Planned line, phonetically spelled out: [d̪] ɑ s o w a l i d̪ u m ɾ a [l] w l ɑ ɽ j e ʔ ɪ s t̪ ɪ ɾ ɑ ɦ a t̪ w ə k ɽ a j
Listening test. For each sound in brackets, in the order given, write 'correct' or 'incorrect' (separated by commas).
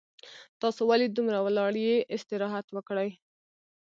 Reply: incorrect, incorrect